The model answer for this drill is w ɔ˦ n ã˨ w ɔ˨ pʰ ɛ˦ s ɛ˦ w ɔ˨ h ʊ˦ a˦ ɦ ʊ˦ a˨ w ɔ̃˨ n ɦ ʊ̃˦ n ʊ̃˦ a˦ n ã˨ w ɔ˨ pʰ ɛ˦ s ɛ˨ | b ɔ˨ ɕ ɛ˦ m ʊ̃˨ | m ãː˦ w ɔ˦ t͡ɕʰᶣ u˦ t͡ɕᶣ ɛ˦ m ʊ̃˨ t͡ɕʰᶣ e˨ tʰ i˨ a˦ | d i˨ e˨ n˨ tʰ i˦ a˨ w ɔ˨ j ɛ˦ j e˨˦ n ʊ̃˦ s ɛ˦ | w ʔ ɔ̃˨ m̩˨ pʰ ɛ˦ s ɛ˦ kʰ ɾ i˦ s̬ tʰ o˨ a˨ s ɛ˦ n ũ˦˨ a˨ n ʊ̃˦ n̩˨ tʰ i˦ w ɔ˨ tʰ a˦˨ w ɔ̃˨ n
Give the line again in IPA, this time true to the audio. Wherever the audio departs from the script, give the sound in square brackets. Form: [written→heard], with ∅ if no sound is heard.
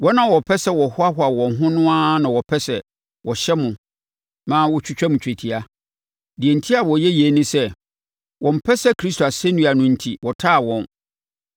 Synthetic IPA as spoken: w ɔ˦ n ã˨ w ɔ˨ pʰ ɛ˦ s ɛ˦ w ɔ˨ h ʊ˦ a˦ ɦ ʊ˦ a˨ w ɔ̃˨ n ɦ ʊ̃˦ n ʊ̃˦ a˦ n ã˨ w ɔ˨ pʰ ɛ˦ s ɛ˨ | [b→w] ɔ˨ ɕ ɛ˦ m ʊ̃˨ | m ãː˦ w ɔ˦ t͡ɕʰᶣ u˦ t͡ɕᶣ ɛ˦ m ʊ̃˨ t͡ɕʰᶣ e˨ tʰ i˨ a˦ | d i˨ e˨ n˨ tʰ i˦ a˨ w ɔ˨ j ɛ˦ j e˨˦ n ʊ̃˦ s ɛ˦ | w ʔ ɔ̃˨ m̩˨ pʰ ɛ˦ s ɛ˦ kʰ ɾ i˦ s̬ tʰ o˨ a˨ s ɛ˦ n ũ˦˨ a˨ n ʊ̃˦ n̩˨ tʰ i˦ w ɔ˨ tʰ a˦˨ w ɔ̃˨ n